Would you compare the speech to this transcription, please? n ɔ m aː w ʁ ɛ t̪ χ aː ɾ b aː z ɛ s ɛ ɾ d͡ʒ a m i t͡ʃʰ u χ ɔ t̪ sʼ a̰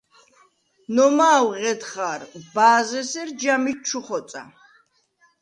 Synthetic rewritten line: n ɔ m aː w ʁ ɛ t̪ χ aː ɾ b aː z ɛ s ɛ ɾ d͡ʒ a m i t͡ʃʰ u χ ɔ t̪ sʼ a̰